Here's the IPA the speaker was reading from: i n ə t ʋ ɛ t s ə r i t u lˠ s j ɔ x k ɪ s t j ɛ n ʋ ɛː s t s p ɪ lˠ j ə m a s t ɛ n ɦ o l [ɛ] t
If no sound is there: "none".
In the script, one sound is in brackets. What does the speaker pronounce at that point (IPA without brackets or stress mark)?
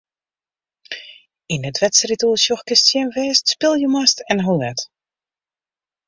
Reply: ɛ